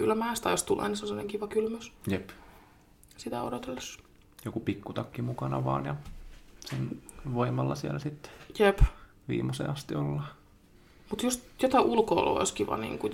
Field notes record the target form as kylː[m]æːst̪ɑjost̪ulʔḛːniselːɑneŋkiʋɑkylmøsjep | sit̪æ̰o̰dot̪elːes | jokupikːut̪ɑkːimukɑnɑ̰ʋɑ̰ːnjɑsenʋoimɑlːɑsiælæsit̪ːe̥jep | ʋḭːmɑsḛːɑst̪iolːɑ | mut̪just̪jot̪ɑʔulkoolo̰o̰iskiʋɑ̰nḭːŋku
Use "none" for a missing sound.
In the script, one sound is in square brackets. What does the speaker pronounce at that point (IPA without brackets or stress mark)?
m